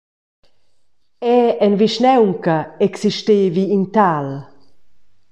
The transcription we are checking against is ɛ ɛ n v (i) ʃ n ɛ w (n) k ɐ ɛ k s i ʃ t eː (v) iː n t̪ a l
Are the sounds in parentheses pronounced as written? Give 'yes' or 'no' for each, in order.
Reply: yes, no, yes

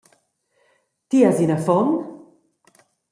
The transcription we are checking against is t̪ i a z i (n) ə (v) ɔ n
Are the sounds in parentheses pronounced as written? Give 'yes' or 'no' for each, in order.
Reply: yes, no

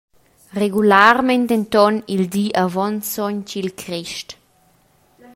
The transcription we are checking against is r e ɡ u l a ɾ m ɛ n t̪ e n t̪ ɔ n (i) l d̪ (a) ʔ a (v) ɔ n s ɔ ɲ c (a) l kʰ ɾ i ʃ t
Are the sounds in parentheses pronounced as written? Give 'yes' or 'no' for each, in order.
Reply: yes, no, yes, no

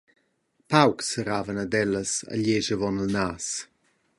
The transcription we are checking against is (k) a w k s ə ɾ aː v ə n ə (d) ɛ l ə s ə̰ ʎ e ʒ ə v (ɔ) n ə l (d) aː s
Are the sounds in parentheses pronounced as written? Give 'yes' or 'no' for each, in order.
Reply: no, yes, yes, no

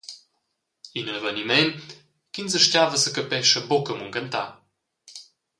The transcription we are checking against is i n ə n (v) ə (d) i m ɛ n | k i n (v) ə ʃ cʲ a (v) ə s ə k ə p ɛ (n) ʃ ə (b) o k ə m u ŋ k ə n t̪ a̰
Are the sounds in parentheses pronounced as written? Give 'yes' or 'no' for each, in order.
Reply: yes, no, no, yes, no, yes

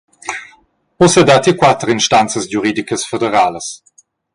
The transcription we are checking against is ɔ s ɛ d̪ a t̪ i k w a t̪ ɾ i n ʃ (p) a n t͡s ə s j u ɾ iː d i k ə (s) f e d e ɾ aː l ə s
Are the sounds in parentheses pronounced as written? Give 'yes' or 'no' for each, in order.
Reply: no, yes

